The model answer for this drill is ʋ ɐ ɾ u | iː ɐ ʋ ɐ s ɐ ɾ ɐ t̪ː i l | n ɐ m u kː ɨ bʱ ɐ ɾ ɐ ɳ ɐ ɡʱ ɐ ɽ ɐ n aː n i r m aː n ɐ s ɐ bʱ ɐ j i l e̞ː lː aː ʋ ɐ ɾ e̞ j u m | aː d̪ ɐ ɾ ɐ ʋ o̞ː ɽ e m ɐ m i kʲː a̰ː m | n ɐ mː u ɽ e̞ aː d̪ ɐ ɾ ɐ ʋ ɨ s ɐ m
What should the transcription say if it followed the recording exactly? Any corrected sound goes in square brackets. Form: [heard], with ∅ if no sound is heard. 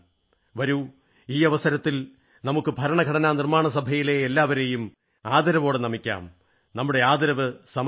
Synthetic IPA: ʋ ɐ ɾ u | iː ɐ ʋ ɐ s ɐ ɾ ɐ t̪ː i l | n ɐ m u kː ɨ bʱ ɐ ɾ ɐ ɳ ɐ ɡʱ ɐ ɽ ɐ n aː n i r m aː [ɳ] ɐ s ɐ bʱ ɐ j i l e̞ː lː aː ʋ ɐ ɾ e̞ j u m | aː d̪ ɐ ɾ ɐ ʋ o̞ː ɽ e [n] ɐ m i kʲː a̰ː m | n ɐ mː u ɽ e̞ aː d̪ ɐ ɾ ɐ ʋ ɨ s ɐ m